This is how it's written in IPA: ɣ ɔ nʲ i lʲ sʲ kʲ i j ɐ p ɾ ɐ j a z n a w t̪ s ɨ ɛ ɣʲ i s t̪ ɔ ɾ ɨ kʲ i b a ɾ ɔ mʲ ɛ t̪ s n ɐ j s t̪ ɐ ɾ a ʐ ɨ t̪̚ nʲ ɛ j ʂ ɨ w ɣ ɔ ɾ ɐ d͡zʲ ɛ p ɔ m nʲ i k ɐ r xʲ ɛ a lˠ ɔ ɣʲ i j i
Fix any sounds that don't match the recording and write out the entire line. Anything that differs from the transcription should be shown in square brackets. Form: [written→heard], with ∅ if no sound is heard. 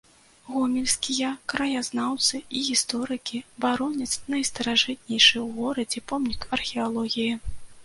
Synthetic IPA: ɣ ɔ [nʲ→mʲ] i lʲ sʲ kʲ i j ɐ [p→k] ɾ ɐ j a z n a w t̪ s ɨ [ɛ→i] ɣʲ i s t̪ ɔ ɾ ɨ kʲ i b a ɾ ɔ [mʲ→nʲ] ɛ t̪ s n ɐ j s t̪ ɐ ɾ a ʐ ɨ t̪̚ nʲ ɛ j ʂ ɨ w ɣ ɔ ɾ ɐ d͡zʲ ɛ p ɔ m nʲ i k ɐ r xʲ ɛ a lˠ ɔ ɣʲ i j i

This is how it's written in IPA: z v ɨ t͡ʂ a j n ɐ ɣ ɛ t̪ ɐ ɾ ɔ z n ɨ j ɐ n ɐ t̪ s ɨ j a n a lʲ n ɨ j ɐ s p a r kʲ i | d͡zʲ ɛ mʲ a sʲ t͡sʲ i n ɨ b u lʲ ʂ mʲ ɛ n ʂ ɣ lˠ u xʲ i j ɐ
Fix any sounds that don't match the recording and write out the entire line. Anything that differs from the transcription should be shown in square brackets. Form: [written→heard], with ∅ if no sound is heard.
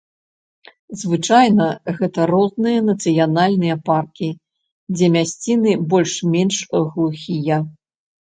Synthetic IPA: z v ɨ t͡ʂ a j n ɐ ɣ ɛ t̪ ɐ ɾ ɔ z n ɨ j ɐ n ɐ t̪ s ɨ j a n a lʲ n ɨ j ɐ [s→∅] p a r kʲ i | d͡zʲ ɛ mʲ a sʲ t͡sʲ i n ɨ b [u→ɔ] lʲ ʂ mʲ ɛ n ʂ ɣ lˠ u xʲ i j ɐ

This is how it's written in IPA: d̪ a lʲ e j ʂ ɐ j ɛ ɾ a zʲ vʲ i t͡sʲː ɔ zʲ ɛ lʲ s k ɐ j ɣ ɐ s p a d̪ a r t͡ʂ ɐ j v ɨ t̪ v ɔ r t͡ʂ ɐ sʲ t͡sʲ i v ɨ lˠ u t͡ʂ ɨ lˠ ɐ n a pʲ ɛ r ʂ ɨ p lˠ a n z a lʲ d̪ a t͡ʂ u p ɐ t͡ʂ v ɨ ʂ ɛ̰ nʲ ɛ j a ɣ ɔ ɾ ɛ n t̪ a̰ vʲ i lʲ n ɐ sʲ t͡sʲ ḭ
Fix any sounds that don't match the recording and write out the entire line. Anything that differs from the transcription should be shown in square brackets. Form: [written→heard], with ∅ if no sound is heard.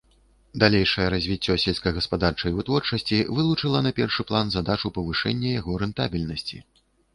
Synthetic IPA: d̪ a lʲ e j ʂ ɐ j ɛ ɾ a zʲ vʲ i t͡sʲː ɔ [zʲ→sʲ] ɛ lʲ s k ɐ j ɣ ɐ s p a d̪ a r t͡ʂ ɐ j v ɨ t̪ v ɔ r t͡ʂ ɐ sʲ t͡sʲ i v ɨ lˠ u t͡ʂ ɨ lˠ ɐ n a pʲ ɛ r ʂ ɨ p lˠ a n z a [lʲ→∅] d̪ a t͡ʂ u p ɐ [t͡ʂ→∅] v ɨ ʂ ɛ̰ [nʲ→nʲː] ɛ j a ɣ ɔ ɾ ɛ n t̪ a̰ [vʲ→bʲ] i lʲ n ɐ sʲ t͡sʲ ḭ

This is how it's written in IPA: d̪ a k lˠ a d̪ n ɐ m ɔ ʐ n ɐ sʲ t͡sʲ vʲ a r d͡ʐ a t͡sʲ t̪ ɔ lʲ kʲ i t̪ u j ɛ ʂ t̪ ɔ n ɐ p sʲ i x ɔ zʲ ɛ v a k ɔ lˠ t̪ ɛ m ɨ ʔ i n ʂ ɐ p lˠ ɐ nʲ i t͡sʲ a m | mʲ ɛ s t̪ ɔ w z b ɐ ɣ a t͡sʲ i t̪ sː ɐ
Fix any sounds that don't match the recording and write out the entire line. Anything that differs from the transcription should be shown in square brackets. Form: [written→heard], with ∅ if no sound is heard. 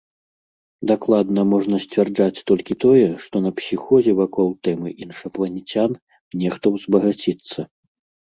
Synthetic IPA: d̪ a k lˠ a d̪ n ɐ m ɔ ʐ n ɐ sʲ t͡sʲ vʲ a r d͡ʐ a t͡sʲ t̪ ɔ lʲ kʲ i t̪ [u→ɔ] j ɛ ʂ t̪ ɔ n ɐ p sʲ i x ɔ zʲ ɛ v a k ɔ lˠ t̪ ɛ m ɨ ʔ i n ʂ ɐ p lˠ ɐ nʲ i t͡sʲ a [m→n] | [mʲ→nʲ] ɛ [s→x] t̪ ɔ w z b ɐ ɣ a t͡sʲ i t̪ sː ɐ

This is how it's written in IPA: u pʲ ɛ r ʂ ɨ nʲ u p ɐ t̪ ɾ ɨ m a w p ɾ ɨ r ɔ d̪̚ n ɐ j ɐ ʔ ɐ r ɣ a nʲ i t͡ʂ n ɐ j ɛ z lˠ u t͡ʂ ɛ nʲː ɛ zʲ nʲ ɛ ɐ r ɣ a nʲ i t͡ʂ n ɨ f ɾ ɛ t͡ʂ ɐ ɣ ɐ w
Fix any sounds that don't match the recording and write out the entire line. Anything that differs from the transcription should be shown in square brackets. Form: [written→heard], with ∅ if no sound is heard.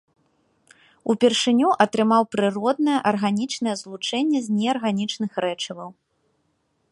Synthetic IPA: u pʲ ɛ r ʂ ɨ nʲ u [p→ʔ] ɐ t̪ ɾ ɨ m a w p ɾ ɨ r ɔ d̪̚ n ɐ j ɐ ʔ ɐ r ɣ a nʲ i t͡ʂ n ɐ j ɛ z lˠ u t͡ʂ ɛ nʲː ɛ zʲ nʲ ɛ ɐ r ɣ a nʲ i t͡ʂ n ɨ [f→x] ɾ ɛ t͡ʂ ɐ [ɣ→v] ɐ w

